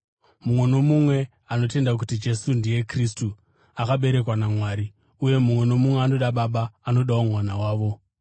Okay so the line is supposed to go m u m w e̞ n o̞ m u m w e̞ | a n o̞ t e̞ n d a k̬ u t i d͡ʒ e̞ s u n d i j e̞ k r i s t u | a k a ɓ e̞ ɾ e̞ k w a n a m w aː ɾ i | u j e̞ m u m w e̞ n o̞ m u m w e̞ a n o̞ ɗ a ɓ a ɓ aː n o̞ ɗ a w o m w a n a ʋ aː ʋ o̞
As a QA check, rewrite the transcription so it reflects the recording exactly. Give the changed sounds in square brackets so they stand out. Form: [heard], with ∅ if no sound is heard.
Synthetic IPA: m u m w e̞ n o̞ m u m w e̞ | a n o̞ t e̞ n d a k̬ u t i d͡ʒ e̞ s u n d i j e̞ k r i s t u | a k a ɓ e̞ ɾ e̞ k w a n a m w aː ɾ i | u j e̞ m u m w e̞ n o̞ m u m w e̞ a n o̞ ɗ a ɓ a ɓ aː n o̞ ɗ a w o m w a n a [w] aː ʋ o̞